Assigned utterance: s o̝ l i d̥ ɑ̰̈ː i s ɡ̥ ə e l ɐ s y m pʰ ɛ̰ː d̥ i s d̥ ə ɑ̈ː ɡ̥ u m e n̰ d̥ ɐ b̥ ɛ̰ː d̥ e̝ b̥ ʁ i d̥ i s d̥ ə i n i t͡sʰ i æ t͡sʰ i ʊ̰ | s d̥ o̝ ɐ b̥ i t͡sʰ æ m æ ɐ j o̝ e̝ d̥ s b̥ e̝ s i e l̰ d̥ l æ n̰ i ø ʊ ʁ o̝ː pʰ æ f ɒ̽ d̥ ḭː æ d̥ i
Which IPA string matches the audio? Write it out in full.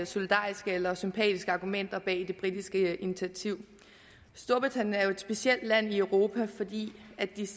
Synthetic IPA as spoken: s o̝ l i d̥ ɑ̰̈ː i s ɡ̥ ə e l ɐ s y m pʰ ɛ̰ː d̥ i s ɡ̥ ə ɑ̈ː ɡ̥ u m e n̰ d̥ ɐ b̥ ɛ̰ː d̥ e̝ b̥ ʁ i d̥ i s ɡ̥ ə i n i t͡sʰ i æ t͡sʰ i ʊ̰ | s d̥ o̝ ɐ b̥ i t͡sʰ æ n æ ɐ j o̝ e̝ d̥ s b̥ e̝ s i e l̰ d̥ l æ n̰ i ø ʊ ʁ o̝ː pʰ æ f ɒ̽ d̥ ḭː æ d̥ i